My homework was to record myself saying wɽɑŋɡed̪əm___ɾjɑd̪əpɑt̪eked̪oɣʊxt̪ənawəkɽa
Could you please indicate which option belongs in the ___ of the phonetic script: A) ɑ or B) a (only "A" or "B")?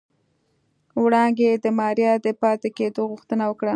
A